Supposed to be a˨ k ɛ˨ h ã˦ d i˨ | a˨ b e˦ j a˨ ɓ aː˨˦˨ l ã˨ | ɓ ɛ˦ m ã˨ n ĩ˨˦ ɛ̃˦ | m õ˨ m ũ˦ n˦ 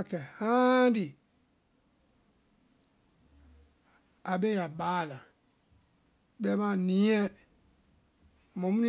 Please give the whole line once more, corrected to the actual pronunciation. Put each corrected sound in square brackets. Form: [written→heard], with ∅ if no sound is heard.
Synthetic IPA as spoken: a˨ k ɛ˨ h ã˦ d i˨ | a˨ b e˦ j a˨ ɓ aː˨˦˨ l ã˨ | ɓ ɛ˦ m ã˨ n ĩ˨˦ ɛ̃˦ | m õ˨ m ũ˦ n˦